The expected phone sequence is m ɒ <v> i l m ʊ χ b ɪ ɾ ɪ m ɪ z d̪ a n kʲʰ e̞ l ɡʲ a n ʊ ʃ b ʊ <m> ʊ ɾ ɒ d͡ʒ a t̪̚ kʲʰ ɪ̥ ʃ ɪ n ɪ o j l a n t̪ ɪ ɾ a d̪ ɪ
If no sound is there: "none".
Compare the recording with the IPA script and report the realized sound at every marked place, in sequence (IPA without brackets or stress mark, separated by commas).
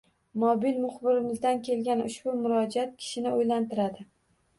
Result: b, m